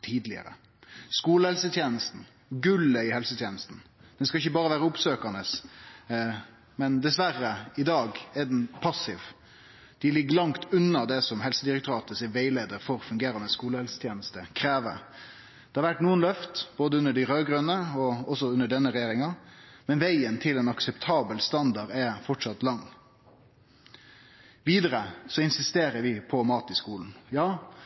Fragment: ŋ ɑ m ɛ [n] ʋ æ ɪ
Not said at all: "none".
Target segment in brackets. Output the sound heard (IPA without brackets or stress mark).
n